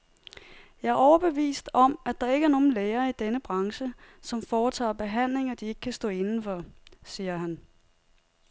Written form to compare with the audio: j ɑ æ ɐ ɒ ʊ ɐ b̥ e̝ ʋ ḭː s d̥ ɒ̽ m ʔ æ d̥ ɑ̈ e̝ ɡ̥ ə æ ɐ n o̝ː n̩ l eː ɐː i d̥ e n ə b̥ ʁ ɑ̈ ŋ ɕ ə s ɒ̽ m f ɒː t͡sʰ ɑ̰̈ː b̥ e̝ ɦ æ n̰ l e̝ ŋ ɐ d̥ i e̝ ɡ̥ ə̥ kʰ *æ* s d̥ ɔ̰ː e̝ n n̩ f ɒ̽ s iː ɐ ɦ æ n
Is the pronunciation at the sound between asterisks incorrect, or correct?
correct